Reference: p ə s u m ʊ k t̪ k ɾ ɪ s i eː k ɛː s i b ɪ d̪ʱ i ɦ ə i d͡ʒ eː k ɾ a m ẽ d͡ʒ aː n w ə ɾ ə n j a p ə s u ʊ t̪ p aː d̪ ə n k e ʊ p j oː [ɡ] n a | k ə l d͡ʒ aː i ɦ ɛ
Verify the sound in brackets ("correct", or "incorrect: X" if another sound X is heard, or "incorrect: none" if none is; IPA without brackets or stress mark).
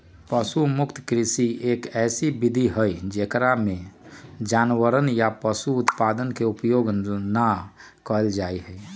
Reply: correct